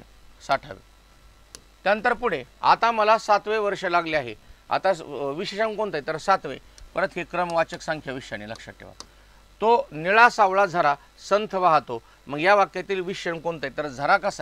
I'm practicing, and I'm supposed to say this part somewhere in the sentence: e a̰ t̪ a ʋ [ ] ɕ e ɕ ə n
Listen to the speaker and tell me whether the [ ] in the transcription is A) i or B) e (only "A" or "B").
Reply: A